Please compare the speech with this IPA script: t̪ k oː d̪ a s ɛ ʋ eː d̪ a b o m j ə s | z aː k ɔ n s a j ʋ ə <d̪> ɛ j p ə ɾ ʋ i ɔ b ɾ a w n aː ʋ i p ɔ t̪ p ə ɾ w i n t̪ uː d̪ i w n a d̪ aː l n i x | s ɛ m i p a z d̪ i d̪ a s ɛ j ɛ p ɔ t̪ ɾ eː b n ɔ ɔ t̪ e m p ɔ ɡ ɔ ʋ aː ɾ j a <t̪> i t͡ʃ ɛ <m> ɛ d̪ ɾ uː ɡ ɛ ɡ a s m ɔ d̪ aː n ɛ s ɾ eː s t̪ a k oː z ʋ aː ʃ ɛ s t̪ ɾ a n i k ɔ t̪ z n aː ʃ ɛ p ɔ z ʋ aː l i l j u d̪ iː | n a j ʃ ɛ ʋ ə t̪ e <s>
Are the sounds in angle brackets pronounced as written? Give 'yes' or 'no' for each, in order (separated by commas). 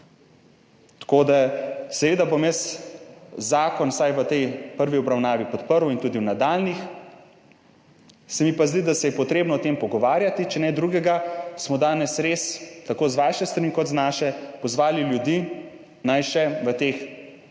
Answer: no, yes, no, no